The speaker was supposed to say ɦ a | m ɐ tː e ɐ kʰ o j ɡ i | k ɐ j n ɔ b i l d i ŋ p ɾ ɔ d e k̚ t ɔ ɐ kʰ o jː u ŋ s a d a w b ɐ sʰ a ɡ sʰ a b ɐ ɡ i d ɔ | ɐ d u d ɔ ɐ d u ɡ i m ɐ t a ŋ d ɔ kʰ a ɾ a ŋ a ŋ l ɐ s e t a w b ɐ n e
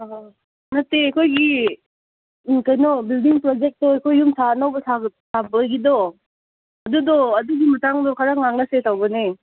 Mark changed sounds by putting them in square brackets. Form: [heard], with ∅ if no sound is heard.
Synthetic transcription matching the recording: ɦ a | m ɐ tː e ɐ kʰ o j ɡ i | k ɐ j n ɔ b i l d i ŋ p ɾ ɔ [d͡ʒ] e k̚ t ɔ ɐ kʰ o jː u [m] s a [n] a w b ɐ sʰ a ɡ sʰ a b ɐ ɡ i d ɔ | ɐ d u d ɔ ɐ d u ɡ i m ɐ t a ŋ d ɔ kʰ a ɾ a ŋ a ŋ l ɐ s e t a w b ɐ n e